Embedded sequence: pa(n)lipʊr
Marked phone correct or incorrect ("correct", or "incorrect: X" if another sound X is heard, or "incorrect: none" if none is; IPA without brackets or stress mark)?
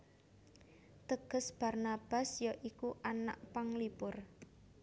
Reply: incorrect: ŋ